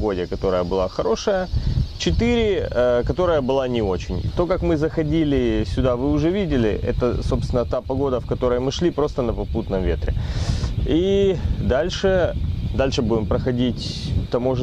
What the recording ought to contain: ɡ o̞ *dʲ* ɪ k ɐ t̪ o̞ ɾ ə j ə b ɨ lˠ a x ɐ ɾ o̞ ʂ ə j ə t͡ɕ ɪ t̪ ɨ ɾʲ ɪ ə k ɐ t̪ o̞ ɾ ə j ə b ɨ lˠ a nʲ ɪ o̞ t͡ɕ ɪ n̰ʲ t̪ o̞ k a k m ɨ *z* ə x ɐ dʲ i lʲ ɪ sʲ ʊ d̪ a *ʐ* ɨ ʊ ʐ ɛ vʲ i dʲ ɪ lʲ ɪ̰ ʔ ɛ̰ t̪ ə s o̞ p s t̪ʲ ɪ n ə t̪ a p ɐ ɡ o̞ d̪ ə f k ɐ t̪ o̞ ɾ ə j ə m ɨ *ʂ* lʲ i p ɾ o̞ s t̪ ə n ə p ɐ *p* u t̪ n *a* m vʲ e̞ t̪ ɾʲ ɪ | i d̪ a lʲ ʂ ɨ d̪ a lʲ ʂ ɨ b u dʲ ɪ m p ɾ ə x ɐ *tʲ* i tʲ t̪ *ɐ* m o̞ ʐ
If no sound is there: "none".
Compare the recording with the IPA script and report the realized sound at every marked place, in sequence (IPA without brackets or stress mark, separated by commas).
dʲ, z, v, ʂ, p, ə, dʲ, ɐ